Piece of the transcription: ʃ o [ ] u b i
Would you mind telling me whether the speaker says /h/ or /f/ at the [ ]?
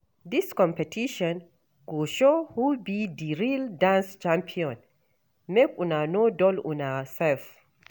h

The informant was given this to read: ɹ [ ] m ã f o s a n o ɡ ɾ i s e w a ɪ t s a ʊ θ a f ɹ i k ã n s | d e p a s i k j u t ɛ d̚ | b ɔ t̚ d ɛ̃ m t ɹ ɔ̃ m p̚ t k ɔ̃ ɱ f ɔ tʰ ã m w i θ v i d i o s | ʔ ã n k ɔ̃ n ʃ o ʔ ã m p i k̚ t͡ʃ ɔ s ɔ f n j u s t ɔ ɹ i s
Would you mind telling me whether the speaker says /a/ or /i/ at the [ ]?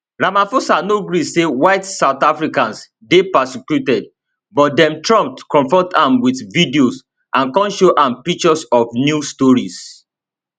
a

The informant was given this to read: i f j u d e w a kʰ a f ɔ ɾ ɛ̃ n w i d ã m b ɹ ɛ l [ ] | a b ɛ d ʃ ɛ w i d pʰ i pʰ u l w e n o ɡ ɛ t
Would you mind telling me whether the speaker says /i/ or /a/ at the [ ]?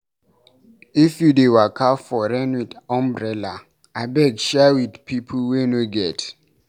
a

